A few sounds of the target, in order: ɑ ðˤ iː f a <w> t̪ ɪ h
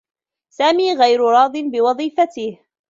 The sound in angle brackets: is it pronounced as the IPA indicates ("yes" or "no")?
no